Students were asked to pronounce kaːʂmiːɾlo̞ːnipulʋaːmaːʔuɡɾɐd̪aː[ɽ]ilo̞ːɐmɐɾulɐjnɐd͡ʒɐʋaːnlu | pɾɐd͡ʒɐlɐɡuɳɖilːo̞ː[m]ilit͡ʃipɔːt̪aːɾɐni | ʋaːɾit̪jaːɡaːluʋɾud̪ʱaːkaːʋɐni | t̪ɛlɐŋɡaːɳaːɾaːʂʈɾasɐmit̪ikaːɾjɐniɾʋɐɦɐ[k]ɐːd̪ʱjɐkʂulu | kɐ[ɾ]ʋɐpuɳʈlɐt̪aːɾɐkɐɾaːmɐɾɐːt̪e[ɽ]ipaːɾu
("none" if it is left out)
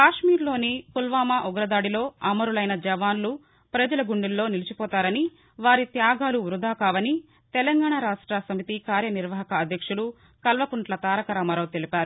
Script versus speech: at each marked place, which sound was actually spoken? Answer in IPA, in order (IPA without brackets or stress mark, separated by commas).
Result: ɽ, n, k, l, l